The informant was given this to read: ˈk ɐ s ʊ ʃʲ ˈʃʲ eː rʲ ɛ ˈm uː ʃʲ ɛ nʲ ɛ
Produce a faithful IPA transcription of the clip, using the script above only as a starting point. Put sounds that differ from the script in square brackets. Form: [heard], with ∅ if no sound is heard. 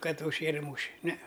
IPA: ˈk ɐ [t] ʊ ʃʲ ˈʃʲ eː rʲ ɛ ˈm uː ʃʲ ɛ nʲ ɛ